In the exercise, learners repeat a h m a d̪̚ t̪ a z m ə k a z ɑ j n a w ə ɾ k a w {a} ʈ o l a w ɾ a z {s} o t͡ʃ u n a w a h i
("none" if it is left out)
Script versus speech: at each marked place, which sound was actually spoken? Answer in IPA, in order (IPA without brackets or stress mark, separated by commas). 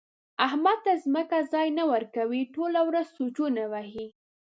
i, s